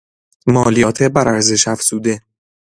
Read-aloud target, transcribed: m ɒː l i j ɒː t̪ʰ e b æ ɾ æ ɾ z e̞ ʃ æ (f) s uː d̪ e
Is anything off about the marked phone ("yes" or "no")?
no